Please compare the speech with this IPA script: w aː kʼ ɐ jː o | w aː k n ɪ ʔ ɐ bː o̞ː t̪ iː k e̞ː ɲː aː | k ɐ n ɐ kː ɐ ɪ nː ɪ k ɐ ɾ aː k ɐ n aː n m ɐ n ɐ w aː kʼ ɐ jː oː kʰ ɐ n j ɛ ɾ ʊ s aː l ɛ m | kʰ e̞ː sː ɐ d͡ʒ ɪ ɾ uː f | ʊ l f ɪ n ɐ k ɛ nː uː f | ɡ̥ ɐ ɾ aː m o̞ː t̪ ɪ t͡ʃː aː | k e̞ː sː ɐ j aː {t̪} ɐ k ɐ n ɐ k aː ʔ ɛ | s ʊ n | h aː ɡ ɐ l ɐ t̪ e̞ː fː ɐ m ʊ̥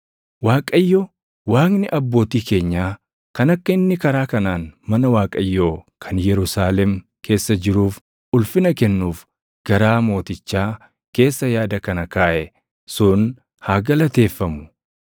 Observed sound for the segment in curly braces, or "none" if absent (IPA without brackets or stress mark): d̪